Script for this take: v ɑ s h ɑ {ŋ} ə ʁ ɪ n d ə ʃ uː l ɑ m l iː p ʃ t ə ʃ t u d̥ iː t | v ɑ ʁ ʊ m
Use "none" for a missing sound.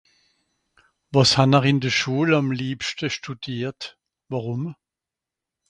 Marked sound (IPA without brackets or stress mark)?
n